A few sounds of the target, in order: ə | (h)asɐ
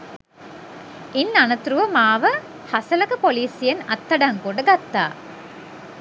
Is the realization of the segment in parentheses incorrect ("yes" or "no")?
no